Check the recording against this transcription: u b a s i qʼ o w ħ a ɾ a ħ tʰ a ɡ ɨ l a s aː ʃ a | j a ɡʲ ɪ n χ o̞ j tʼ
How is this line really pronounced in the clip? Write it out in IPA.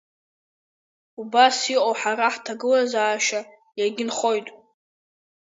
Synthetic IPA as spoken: u b a s i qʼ o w ħ a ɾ a ħ tʰ a ɡ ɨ l a z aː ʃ a | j a ɡʲ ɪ n χ o̞ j tʼ